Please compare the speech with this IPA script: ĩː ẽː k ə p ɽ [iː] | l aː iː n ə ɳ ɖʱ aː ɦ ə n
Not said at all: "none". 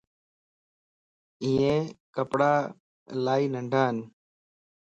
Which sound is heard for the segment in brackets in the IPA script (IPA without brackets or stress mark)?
aː